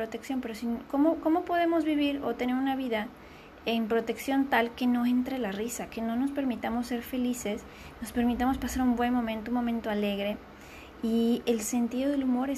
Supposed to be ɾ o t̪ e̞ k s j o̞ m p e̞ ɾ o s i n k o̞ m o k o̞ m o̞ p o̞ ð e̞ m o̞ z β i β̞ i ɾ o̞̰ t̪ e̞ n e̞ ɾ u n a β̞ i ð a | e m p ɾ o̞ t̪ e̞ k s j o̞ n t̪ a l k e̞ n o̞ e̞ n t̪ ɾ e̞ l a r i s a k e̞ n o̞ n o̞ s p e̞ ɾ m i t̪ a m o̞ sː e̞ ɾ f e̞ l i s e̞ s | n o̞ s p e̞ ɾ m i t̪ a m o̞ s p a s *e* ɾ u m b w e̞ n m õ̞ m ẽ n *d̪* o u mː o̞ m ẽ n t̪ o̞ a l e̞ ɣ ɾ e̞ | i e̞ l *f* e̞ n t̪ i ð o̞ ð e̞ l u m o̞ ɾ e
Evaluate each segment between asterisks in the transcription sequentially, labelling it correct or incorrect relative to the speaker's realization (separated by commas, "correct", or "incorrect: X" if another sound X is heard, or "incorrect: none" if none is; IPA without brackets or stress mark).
incorrect: a, incorrect: t̪, incorrect: s